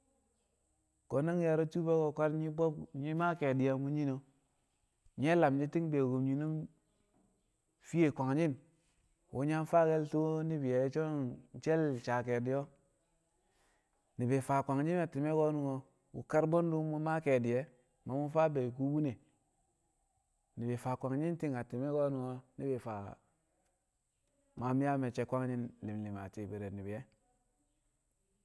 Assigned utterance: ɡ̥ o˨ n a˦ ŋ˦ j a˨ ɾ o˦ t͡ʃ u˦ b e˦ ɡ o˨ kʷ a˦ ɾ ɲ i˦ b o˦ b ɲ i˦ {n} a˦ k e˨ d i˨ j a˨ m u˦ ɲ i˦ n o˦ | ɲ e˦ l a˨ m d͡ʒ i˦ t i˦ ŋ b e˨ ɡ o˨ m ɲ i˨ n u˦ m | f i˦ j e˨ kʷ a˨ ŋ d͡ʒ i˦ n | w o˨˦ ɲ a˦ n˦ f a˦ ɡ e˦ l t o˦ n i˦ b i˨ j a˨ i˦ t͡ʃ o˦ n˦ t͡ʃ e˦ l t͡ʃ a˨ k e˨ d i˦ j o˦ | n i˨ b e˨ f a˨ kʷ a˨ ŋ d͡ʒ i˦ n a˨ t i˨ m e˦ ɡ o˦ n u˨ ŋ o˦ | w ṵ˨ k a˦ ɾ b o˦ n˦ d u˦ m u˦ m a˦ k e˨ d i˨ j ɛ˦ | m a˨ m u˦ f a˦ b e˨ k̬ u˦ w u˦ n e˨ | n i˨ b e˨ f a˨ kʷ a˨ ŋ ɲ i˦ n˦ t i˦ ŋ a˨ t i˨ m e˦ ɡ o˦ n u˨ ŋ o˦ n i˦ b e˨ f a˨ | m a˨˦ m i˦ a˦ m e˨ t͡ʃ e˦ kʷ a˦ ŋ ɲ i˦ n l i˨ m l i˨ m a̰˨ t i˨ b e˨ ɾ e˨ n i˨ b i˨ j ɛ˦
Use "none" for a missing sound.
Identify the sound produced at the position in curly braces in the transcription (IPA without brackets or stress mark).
m